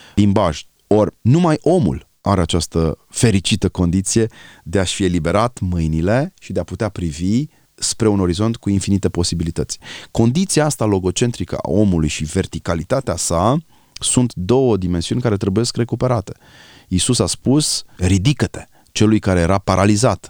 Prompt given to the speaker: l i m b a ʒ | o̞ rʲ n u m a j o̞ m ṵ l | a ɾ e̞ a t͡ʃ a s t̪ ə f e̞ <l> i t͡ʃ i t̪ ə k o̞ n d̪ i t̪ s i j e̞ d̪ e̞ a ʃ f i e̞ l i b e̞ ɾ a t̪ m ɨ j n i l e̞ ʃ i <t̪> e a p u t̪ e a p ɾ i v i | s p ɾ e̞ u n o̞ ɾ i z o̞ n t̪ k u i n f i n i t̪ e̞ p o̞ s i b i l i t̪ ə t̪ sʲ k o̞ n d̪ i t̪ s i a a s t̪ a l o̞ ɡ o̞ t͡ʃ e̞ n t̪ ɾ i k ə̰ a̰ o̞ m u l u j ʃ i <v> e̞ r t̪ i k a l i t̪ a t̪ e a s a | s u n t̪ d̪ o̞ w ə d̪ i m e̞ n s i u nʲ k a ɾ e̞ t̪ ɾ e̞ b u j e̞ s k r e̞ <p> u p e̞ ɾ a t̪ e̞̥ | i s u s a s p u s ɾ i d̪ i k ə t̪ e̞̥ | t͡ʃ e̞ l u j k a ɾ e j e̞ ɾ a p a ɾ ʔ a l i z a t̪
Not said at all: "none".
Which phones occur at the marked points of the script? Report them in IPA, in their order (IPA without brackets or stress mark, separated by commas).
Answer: ɾ, d̪, v, k